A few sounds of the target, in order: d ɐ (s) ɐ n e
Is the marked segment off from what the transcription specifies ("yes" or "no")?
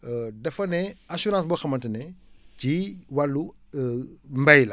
yes